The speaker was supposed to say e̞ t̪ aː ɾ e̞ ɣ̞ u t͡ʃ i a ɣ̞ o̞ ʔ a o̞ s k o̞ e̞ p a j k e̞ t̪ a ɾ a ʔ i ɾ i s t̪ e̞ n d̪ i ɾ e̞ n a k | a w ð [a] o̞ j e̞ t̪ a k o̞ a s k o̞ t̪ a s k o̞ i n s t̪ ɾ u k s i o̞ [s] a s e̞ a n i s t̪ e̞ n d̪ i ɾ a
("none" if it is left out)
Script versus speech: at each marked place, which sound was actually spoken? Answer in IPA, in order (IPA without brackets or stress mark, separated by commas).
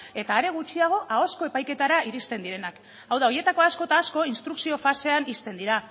a, f